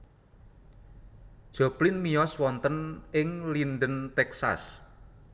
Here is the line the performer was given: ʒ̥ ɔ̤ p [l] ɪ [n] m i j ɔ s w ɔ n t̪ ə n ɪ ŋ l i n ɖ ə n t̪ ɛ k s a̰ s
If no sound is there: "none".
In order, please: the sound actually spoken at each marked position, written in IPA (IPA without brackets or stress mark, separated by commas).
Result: l, n